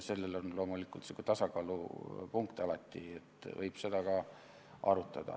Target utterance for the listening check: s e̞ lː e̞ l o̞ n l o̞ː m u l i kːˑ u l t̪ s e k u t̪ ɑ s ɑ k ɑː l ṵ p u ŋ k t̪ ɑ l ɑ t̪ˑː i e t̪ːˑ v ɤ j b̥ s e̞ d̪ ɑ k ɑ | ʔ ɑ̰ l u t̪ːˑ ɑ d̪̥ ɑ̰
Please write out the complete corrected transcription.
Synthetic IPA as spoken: s e̞ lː e̞ l o̞ n l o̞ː m u l i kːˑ u l t̪ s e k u t̪ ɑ s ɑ k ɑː l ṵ p u ŋ k t̪ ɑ l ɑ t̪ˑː i e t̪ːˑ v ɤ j b̥ s e̞ d̪ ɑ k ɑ | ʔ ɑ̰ ɾ u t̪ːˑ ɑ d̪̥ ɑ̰

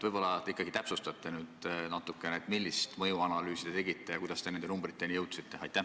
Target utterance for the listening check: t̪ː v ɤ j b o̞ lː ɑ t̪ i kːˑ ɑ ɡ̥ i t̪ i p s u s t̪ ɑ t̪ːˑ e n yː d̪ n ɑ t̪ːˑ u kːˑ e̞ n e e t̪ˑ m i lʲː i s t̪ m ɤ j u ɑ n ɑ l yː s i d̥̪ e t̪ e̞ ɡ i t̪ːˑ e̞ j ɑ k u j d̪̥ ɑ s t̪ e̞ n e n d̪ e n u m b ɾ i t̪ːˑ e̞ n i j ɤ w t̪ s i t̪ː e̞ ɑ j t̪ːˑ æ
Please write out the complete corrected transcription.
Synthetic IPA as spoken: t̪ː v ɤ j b o̞ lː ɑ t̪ i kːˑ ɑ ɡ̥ i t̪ æ p s u s t̪ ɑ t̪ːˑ e n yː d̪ n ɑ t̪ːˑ u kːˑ e̞ n e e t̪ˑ m i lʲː i s t̪ m ɤ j u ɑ n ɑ l yː s i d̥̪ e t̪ e̞ ɡ i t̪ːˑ e̞ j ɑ k u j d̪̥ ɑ s t̪ e̞ n e n d̪ e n u m b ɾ i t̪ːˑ e̞ n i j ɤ w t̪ s i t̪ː e̞ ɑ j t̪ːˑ æ

